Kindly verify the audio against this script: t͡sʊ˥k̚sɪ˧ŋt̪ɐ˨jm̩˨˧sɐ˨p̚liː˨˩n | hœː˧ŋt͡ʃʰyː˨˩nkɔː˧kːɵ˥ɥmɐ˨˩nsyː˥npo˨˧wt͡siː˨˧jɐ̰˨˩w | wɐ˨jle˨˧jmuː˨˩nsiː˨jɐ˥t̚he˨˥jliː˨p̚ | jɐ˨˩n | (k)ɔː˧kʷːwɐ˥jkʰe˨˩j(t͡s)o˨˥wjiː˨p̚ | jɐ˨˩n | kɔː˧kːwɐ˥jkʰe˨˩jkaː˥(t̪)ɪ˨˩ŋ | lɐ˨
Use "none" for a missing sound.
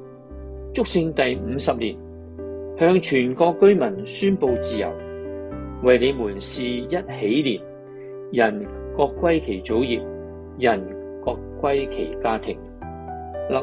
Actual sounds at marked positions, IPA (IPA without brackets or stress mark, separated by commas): k, t͡s, t̪ʰ